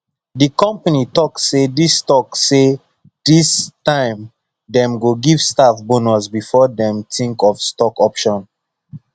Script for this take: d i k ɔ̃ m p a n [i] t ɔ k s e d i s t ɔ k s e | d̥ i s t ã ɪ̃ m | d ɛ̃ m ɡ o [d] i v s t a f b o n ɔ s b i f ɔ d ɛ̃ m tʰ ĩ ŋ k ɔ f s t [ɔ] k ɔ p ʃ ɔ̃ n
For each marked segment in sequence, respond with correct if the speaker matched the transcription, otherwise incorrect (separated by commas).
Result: correct, incorrect, correct